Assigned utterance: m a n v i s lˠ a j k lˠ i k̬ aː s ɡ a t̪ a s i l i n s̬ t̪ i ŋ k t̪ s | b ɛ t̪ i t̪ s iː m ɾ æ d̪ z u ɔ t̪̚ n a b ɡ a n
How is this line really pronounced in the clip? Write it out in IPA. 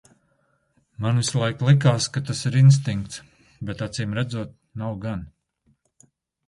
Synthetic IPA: m a n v i s lˠ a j k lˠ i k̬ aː s k a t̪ a s i ɾ i n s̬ t̪ i ŋ k t̪ s | b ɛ t̪ a t̪ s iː m ɾ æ d̪ z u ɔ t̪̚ n a w ɡ a n